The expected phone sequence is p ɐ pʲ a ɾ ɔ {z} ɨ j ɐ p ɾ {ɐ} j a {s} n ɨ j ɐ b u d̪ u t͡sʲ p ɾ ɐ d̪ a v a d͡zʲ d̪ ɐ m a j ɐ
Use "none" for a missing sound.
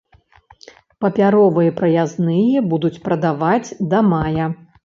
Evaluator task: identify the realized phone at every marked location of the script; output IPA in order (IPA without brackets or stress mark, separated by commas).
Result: v, ɐ, z